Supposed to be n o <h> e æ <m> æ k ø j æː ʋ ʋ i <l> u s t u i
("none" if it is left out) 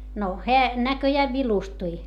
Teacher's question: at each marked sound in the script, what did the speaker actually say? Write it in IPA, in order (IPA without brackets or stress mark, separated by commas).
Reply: h, n, l